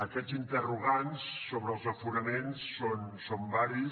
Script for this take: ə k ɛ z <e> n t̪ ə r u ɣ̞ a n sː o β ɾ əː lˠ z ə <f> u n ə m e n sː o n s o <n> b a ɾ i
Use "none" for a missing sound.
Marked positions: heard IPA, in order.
i, f, m

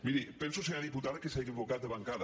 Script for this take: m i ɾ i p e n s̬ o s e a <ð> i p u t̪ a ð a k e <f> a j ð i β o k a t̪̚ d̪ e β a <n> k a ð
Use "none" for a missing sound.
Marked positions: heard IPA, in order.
ð, s, ŋ

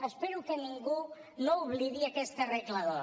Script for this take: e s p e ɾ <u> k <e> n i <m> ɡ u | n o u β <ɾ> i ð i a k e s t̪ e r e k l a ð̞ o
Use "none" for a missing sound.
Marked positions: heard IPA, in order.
u, e, ŋ, l

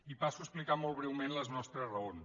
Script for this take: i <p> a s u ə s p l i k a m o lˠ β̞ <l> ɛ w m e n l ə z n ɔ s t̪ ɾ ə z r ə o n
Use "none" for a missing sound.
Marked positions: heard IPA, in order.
p, ɾ

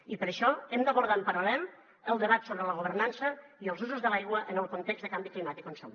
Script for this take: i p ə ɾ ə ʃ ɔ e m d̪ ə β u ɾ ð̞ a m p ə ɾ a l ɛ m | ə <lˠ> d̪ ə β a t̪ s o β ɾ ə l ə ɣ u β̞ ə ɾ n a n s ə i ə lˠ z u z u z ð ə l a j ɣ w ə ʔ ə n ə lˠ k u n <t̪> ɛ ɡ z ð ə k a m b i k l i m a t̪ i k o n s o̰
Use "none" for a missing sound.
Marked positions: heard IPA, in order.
lˠ, t̪

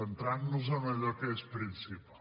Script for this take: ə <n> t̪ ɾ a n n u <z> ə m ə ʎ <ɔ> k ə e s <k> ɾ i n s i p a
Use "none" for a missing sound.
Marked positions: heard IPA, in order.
n, z, ɔ, p

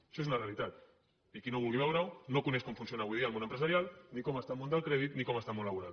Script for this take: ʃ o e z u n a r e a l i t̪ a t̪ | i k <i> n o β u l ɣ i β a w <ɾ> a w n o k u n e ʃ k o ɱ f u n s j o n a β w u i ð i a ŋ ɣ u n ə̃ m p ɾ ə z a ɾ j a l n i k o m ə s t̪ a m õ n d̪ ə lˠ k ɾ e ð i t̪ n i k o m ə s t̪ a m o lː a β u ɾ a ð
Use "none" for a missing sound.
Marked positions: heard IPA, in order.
i, ɾ

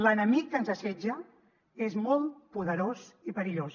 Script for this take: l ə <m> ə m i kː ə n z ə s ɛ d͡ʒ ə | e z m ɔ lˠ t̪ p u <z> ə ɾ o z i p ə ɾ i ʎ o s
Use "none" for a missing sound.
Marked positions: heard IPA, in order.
n, ð

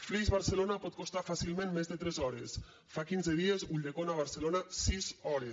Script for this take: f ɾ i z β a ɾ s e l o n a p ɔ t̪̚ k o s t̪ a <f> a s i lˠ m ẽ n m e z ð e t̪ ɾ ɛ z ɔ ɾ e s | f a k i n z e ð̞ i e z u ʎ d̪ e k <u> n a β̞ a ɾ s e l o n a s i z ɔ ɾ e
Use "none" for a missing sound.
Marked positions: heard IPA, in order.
f, o

